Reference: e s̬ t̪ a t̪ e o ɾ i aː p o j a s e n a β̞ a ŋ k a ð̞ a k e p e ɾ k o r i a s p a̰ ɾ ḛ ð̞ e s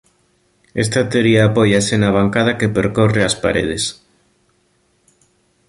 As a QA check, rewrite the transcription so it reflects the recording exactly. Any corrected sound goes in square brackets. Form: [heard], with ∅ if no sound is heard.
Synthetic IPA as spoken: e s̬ t̪ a t̪ e o ɾ i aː p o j a s e n a β̞ a ŋ k a ð̞ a k e p e ɾ k o r [e] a s p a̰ ɾ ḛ ð̞ e s